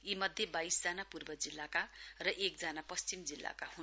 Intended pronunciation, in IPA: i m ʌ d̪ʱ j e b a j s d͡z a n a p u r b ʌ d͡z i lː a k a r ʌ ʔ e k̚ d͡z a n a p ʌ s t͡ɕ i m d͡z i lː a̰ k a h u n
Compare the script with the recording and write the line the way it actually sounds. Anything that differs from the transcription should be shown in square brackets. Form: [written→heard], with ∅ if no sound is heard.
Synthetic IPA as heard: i m ʌ d̪ʱ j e b a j s d͡z a n a p u r b ʌ d͡z i lː a k a r ʌ ʔ e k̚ d͡z a n a p ʌ s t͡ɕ i m d͡z i lː a̰ k a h u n